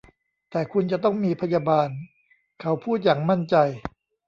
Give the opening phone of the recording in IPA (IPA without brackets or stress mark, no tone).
t̪